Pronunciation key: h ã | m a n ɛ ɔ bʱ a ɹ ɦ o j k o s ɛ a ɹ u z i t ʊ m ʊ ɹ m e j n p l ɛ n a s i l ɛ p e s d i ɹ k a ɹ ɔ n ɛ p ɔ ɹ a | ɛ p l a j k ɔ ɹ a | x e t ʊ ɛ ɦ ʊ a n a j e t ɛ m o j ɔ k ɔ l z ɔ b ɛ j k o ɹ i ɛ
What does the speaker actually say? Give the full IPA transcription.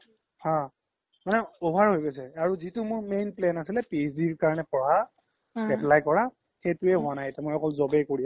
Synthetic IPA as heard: h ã | m a n ɛ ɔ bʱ a ɹ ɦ o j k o s ɛ a ɹ u z i t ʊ m ʊ ɹ m e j n p l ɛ n a s i l ɛ p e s d i ɹ k a ɹ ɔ n ɛ p ɔ ɹ a | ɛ p l a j k ɔ ɹ a | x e t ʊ ɛ ɦ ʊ a n a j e t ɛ m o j ɔ k ɔ l z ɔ b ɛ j k o ɹ i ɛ